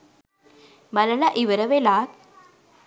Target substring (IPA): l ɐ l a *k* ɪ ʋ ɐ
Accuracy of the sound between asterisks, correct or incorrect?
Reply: incorrect